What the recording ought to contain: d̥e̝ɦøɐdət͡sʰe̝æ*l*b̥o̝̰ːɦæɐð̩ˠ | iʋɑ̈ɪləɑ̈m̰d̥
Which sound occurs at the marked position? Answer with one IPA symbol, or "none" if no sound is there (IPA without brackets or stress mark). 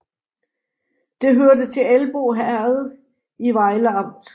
l